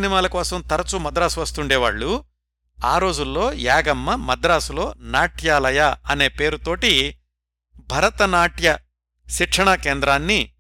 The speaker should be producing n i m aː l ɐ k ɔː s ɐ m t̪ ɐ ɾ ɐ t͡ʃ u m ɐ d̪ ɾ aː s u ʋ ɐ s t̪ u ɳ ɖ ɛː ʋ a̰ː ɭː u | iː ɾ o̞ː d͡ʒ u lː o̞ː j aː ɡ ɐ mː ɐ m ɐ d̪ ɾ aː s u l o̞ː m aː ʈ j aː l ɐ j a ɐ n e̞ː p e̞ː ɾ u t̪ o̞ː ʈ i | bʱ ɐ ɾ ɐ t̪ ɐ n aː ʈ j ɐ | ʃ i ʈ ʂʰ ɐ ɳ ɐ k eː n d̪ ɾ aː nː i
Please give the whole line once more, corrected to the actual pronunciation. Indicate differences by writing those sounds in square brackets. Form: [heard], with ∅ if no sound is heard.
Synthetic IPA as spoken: n i m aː l ɐ k ɔː s ɐ m t̪ ɐ ɾ ɐ t͡ʃ u m ɐ d̪ ɾ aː s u ʋ ɐ s t̪ u ɳ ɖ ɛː ʋ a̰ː ɭː u | [aː] ɾ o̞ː d͡ʒ u lː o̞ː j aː ɡ ɐ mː ɐ m ɐ d̪ ɾ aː s u l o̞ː [n] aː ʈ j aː l ɐ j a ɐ n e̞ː p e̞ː ɾ u t̪ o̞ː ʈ i | bʱ ɐ ɾ ɐ t̪ ɐ n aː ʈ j ɐ | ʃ i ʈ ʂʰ ɐ ɳ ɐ k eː n d̪ ɾ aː nː i